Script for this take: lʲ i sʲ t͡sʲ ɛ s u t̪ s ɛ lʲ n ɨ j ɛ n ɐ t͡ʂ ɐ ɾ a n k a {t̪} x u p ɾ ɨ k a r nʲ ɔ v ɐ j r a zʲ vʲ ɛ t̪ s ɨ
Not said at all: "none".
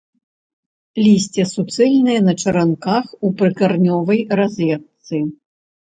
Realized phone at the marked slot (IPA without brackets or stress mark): none